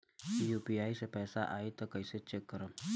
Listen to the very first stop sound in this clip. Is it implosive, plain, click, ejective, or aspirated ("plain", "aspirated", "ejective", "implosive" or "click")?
plain